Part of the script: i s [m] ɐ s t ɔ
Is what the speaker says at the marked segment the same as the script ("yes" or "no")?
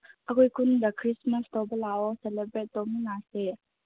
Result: yes